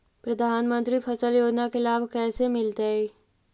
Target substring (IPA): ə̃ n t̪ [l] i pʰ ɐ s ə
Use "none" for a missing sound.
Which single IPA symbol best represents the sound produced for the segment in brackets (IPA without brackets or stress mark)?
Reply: ɾ